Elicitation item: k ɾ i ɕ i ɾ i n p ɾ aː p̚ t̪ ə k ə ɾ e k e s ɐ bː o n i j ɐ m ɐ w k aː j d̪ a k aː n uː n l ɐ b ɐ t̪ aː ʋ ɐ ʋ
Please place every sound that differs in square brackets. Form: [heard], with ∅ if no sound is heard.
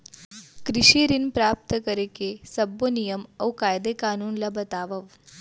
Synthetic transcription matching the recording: k ɾ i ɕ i ɾ i n p ɾ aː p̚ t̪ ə k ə ɾ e k e s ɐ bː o n i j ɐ m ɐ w k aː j d̪ [e] k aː n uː n l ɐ b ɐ t̪ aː ʋ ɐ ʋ